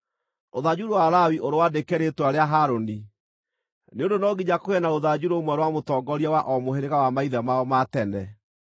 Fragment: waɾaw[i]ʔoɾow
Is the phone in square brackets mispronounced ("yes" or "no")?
no